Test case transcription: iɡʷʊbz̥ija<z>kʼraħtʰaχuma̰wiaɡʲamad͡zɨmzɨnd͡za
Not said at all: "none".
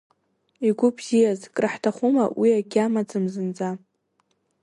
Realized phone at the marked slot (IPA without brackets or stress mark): z